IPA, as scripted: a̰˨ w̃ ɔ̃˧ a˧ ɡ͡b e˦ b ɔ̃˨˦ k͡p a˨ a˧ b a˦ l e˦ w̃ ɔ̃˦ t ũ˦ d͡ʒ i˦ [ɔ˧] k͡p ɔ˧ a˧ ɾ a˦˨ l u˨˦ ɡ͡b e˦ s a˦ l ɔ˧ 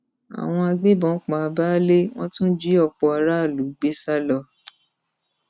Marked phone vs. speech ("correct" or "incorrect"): correct